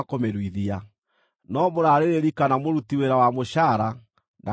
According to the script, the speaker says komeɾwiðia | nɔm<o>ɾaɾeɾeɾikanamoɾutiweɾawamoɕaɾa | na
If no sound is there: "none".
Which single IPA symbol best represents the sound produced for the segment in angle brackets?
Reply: o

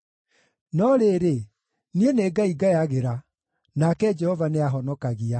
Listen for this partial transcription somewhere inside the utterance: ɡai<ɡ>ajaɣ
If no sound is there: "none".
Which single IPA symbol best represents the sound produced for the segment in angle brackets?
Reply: ɡ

